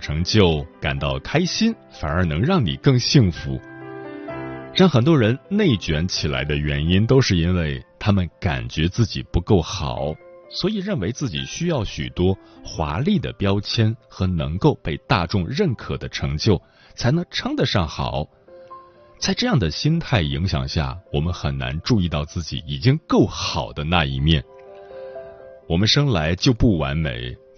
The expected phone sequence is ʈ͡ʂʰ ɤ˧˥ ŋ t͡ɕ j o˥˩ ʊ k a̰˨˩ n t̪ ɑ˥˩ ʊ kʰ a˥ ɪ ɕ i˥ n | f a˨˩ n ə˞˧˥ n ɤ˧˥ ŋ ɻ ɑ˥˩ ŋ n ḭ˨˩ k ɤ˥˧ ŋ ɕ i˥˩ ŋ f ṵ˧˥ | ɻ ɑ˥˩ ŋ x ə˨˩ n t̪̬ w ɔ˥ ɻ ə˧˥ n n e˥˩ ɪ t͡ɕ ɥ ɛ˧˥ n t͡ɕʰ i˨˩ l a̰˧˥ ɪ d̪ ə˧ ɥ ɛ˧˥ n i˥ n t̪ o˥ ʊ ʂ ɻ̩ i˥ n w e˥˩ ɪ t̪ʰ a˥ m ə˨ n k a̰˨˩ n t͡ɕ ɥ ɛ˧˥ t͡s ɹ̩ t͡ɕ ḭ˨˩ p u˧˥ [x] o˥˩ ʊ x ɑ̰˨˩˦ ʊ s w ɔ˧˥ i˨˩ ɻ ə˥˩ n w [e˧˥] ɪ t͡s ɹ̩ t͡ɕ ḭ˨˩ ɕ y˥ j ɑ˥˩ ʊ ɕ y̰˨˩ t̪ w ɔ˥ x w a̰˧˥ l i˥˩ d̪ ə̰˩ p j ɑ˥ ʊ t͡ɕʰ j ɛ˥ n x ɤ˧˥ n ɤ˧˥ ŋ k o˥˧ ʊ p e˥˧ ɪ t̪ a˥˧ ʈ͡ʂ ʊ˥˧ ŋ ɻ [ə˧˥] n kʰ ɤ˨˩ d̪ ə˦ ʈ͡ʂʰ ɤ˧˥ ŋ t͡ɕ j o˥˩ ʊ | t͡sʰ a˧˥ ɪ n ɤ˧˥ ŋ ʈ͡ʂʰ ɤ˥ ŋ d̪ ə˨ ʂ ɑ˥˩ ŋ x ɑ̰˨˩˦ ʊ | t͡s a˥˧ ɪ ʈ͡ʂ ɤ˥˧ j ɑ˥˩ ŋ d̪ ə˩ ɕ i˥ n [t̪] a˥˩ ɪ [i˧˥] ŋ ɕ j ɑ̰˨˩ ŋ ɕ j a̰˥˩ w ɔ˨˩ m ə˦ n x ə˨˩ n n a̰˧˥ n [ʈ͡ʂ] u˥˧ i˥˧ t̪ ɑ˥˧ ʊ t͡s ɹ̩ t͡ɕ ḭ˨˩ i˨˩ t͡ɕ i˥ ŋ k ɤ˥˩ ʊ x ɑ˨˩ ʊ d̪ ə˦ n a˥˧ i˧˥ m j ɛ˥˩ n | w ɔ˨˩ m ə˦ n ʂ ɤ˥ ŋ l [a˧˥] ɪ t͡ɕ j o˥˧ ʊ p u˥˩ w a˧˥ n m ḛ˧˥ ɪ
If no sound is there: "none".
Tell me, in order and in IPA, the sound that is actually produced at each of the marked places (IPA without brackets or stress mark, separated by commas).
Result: k, e˧˥, ə˥˩, t̪ʰ, i˧˥, ʈ͡ʂ, a˧˥